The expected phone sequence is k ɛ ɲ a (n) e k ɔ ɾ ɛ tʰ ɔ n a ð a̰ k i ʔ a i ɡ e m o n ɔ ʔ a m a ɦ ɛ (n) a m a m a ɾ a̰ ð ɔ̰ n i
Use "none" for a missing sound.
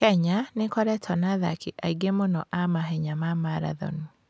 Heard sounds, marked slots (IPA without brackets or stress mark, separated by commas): n, ɲ